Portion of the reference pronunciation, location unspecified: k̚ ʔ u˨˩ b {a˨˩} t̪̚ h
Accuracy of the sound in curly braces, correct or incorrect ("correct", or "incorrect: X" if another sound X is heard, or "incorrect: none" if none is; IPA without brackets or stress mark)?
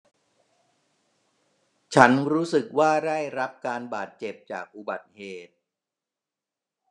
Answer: correct